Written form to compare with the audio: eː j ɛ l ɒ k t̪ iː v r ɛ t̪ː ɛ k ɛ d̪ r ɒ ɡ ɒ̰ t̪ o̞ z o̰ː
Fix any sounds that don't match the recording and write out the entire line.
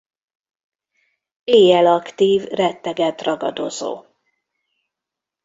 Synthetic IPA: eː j ɛ l ɒ k t̪ iː v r ɛ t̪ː ɛ ɡ ɛ t̪ r ɒ ɡ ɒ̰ d̪ o̞ z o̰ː